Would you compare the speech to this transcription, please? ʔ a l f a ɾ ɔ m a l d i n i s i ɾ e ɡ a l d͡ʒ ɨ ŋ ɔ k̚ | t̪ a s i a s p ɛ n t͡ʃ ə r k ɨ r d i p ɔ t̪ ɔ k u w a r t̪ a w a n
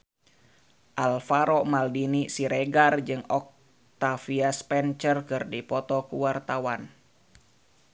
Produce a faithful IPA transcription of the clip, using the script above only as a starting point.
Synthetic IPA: ʔ a l f a ɾ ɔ m a l d i n i s i ɾ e ɡ a r d͡ʒ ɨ ŋ ɔ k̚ | t̪ a f i a s p ɛ n t͡ʃ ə r k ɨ r d i p ɔ t̪ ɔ k u w a r t̪ a w a n